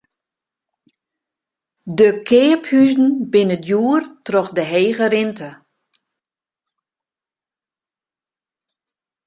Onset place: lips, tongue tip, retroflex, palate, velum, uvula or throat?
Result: tongue tip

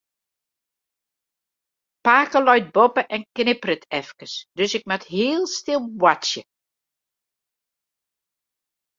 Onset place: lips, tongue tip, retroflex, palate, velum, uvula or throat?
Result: lips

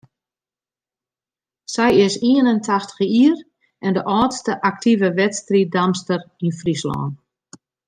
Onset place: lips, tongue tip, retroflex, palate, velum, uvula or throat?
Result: tongue tip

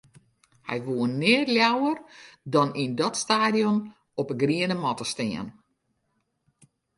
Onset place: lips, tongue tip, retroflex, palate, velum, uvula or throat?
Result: throat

